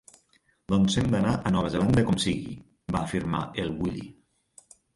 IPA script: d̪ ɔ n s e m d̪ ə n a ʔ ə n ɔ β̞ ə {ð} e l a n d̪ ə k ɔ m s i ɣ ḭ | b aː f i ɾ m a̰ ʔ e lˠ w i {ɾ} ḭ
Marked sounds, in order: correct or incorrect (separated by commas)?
incorrect, incorrect